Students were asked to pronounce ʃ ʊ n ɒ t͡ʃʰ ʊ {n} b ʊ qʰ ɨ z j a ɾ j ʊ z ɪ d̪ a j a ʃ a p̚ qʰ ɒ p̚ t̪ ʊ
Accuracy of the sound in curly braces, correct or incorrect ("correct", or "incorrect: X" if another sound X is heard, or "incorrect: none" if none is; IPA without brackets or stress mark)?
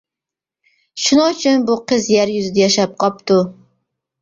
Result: correct